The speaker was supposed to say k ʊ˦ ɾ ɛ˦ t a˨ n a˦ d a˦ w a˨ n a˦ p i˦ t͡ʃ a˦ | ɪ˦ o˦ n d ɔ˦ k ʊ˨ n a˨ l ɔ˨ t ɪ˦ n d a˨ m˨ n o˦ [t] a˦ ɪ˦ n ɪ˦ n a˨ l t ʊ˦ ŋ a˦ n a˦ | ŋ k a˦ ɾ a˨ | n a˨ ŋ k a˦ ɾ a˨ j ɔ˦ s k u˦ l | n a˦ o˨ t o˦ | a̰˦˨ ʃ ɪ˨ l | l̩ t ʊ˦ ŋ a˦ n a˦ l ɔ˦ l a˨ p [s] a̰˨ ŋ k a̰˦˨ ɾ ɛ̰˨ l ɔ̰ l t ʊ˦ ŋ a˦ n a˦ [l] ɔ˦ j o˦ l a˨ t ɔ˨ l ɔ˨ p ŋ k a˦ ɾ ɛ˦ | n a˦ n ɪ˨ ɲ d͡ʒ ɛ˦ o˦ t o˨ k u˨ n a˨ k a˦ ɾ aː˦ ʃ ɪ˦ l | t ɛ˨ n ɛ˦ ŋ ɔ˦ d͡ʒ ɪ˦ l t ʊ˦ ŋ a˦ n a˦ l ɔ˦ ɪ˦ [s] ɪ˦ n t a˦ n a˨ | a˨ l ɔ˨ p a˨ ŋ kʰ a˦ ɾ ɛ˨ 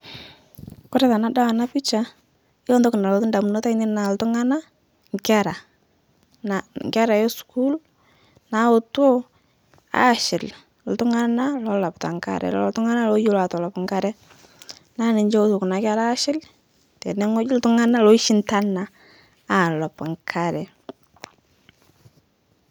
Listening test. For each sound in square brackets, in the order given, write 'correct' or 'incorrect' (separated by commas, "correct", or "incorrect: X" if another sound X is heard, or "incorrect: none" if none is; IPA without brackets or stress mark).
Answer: correct, incorrect: t, correct, incorrect: ʃ